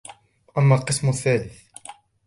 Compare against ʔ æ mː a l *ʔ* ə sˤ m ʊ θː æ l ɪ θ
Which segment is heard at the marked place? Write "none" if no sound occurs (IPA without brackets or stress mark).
q